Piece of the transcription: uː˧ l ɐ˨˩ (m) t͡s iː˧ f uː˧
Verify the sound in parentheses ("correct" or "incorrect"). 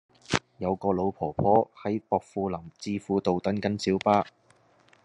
correct